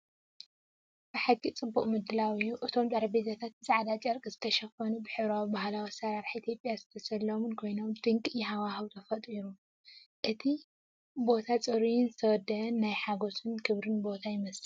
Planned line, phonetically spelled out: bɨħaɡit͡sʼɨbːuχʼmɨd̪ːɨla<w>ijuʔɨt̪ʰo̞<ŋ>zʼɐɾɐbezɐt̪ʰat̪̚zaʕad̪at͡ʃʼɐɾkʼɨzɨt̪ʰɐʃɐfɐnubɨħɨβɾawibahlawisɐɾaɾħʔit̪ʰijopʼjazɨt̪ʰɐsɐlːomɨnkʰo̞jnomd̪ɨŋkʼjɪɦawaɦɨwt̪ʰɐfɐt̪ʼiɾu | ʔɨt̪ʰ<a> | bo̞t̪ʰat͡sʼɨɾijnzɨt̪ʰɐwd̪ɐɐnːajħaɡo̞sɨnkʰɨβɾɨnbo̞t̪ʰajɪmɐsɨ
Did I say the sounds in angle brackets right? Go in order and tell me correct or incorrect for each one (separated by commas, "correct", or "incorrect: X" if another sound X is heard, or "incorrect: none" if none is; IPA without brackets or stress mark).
correct, incorrect: m, incorrect: i